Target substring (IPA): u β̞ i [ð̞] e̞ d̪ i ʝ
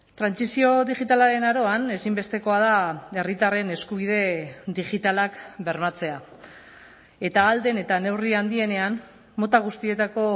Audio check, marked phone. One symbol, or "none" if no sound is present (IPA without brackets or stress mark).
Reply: ð̞